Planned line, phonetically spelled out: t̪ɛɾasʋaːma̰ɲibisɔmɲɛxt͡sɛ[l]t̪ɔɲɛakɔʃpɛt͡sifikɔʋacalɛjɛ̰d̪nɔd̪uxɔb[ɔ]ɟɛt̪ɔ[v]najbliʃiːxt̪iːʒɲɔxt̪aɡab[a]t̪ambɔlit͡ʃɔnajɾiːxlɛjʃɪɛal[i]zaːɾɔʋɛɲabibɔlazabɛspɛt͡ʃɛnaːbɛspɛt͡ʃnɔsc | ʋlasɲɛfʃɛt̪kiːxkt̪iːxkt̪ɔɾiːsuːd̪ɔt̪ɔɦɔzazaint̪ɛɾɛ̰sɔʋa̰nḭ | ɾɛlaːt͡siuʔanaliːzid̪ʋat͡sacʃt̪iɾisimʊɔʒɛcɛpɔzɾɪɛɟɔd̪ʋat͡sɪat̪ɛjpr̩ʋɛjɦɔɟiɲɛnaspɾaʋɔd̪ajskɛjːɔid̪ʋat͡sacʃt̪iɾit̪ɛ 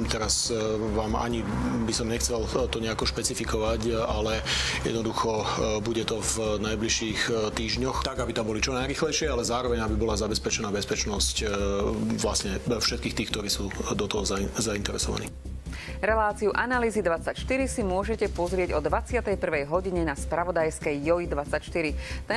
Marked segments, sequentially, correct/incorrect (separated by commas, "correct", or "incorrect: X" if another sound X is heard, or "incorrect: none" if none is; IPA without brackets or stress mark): correct, incorrect: u, correct, incorrect: i, incorrect: ɛ